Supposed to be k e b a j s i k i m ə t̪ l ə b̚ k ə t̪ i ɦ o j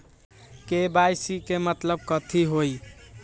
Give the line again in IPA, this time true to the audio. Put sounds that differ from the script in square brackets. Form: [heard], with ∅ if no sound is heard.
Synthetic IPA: k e b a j s i k [e] m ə t̪ l ə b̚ k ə [t̪ʰ] i ɦ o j